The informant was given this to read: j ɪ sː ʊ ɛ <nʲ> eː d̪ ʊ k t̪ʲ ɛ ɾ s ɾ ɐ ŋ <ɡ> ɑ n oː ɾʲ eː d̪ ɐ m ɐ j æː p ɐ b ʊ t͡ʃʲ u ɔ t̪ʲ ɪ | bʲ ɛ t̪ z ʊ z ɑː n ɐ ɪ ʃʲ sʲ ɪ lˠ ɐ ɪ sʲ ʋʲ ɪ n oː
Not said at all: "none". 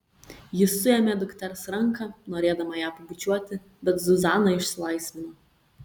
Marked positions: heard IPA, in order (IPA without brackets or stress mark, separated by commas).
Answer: mʲ, k